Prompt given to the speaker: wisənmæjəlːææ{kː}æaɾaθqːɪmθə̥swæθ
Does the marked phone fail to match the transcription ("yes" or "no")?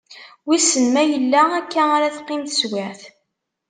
no